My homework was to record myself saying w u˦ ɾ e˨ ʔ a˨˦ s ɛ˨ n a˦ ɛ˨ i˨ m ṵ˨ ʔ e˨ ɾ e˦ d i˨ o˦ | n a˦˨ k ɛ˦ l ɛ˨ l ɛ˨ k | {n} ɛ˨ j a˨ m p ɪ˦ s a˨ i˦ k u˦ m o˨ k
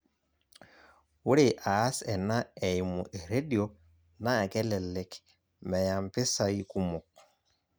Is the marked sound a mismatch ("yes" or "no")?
yes